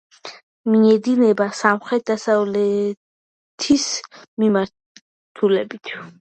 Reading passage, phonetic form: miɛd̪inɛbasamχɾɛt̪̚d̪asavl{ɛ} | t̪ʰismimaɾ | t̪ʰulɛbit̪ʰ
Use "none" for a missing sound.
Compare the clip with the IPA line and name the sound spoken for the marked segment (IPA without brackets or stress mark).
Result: ɛ